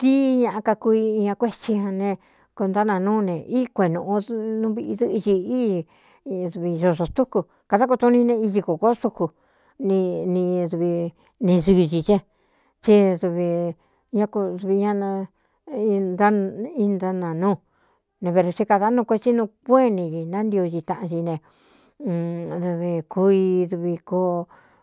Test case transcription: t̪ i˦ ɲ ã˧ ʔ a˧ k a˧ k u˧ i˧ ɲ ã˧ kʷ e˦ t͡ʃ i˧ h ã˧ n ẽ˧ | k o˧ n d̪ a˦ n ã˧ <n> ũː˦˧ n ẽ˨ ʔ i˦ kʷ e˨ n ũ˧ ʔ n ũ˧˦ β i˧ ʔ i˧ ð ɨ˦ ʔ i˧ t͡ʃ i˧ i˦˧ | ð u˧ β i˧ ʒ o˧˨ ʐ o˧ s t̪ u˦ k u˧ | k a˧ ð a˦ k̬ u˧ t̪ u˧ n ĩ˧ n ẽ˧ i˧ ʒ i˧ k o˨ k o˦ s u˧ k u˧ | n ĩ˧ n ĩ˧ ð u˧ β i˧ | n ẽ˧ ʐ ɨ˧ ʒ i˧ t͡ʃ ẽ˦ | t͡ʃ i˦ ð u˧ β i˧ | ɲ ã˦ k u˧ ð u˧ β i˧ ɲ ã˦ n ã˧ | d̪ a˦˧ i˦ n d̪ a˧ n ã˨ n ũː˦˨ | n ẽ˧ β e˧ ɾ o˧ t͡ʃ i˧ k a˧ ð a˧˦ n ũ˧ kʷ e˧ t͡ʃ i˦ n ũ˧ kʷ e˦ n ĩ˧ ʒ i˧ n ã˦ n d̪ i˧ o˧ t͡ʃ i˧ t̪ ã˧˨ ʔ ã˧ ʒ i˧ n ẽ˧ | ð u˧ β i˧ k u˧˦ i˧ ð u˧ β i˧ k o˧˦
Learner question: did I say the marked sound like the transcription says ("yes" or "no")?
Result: yes